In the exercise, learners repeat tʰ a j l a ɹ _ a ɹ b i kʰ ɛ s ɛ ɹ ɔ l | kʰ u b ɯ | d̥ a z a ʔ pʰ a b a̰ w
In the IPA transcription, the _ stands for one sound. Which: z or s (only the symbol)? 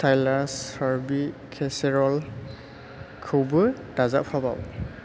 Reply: s